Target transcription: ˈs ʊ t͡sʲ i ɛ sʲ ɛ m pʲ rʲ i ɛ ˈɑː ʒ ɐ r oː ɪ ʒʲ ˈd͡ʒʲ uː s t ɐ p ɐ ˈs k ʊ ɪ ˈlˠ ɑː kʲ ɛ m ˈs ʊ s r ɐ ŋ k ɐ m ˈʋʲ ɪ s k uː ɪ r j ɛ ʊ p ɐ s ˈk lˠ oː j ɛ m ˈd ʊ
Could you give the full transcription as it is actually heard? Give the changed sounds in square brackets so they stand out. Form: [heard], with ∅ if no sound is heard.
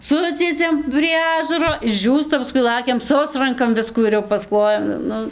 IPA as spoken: ˈs ʊ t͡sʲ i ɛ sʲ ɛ m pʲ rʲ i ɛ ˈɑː ʒ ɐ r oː ɪ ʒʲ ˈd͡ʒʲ uː s t ɐ p ɐ ˈs k ʊ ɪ ˈlˠ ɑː kʲ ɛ m ˈs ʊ s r ɐ ŋ k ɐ m ˈʋʲ ɪ s k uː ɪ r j ɛ ʊ p ɐ s ˈk lˠ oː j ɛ m [ˈn] ʊ